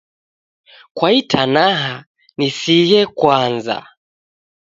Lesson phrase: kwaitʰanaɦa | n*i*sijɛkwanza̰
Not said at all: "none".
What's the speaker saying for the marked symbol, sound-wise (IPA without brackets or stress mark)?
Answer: i